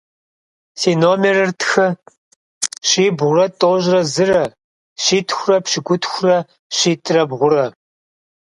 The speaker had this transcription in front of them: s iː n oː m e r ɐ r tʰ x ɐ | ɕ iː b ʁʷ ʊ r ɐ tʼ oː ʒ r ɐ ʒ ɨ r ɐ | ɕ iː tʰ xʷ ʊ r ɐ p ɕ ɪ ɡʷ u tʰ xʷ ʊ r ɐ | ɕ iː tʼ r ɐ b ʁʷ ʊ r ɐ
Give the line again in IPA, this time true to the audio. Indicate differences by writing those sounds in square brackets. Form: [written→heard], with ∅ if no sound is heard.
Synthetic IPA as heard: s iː n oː m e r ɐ r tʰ x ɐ | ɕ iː b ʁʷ ʊ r ɐ tʼ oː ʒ r ɐ [ʒ→z] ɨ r ɐ | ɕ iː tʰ xʷ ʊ r ɐ p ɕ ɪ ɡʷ [u→ʊ] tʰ xʷ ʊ r ɐ | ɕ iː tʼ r ɐ b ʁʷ ʊ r ɐ